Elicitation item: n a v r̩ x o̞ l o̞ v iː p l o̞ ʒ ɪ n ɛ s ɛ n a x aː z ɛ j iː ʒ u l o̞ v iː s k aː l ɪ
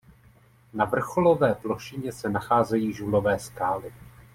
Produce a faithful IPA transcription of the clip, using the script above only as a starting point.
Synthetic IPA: n a v r̩ x o̞ l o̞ v ɛː p l o̞ ʃ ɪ ɲ ɛ s ɛ n a x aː z ɛ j iː ʒ u l o̞ v ɛː s k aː l ɪ